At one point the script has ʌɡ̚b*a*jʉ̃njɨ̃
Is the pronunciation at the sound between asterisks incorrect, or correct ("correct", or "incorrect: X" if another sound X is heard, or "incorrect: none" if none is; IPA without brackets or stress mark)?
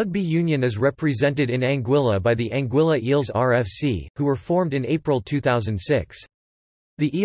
incorrect: i